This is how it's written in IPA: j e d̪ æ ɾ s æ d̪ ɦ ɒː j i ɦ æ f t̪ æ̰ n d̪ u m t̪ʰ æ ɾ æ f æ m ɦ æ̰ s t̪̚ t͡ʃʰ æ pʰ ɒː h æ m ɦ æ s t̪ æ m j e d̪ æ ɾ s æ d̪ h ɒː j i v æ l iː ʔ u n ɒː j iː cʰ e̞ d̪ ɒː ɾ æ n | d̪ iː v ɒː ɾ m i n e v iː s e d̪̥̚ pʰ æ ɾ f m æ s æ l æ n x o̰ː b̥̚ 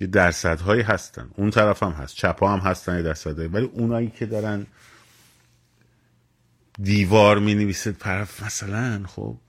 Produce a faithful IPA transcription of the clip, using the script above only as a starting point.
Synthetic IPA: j e d̪ æ ɾ s æ d̪ ɦ ɒː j i ɦ æ s t̪ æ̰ n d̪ u n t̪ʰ æ ɾ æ f æ m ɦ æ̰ s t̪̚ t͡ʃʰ æ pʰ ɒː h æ m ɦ æ s t̪ æ n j e d̪ æ ɾ s æ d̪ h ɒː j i v æ l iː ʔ u n ɒː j iː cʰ e̞ d̪ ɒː ɾ æ n | d̪ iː v ɒː ɾ m i n e v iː s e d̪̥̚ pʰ æ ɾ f m æ s æ l æ n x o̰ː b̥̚